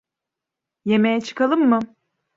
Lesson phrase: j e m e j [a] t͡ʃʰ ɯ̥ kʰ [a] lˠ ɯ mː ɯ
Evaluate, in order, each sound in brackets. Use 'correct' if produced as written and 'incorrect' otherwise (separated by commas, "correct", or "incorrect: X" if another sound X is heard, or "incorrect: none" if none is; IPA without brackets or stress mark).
incorrect: ɛ, correct